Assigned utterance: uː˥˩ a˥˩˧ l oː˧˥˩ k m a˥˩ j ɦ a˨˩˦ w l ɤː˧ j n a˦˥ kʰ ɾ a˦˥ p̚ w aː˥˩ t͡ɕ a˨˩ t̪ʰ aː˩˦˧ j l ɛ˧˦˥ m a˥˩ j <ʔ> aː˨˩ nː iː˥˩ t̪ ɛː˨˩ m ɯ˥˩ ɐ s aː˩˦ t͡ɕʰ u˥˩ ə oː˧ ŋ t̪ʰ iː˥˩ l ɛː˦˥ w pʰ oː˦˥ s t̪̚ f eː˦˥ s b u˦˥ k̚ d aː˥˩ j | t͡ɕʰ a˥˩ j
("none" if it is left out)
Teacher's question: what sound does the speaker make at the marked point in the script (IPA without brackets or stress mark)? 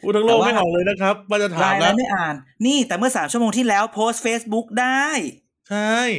ʔ